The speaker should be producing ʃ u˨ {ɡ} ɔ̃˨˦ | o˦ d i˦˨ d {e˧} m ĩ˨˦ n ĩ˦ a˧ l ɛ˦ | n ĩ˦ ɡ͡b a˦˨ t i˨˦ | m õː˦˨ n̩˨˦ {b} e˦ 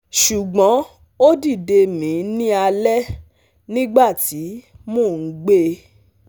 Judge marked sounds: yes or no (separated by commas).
no, yes, no